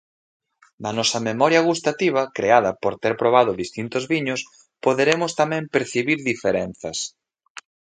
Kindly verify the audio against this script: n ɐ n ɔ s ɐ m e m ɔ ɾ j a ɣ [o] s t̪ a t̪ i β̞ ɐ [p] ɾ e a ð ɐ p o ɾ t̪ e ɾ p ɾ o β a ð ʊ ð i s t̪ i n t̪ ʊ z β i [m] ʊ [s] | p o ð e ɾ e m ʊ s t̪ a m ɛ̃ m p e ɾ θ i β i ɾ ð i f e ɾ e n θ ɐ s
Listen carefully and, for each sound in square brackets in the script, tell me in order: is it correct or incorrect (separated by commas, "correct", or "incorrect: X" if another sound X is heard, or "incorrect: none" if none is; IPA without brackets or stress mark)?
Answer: incorrect: u, incorrect: k, incorrect: ɲ, correct